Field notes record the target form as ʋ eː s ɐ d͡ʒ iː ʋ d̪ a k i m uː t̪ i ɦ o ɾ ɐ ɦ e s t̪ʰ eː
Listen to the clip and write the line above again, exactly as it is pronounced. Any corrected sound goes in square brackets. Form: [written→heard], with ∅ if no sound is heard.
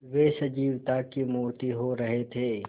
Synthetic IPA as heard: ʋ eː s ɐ d͡ʒ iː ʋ [d̪→t̪] a k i m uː t̪ i ɦ o ɾ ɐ ɦ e [s→∅] t̪ʰ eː